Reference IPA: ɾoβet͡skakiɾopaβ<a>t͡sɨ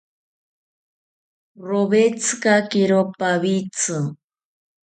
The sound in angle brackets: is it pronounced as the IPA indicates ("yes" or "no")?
no